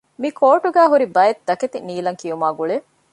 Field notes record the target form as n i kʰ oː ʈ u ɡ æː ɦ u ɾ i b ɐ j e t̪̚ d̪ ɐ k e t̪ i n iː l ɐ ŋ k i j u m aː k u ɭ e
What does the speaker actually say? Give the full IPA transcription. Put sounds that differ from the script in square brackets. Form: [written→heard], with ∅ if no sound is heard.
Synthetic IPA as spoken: [n→m] i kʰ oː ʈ u ɡ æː ɦ u ɾ i b ɐ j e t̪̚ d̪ ɐ k e t̪ i n iː l ɐ ŋ k i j u m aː [k→ɡ] u ɭ e